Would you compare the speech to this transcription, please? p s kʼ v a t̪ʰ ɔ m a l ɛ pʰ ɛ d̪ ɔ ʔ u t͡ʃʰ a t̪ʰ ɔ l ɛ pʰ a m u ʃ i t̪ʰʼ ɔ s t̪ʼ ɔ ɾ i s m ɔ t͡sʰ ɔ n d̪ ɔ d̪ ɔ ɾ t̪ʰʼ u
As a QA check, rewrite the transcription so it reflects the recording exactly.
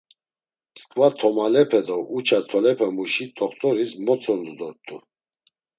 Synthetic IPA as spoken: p s kʼ v a t̪ʰ ɔ m a l ɛ pʰ ɛ d̪ ɔ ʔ u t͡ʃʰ a t̪ʰ ɔ l ɛ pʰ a m u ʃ i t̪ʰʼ ɔ χ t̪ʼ ɔ ɾ i s m ɔ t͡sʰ ɔ n d̪ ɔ d̪ ɔ ɾ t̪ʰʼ u